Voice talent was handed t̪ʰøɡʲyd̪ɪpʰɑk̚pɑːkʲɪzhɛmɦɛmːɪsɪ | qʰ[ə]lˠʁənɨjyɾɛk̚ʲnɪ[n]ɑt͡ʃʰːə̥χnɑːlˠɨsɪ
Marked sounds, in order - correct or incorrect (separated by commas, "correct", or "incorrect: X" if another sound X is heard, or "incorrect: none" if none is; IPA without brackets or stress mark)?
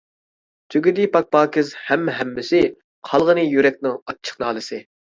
incorrect: ɑ, incorrect: ŋ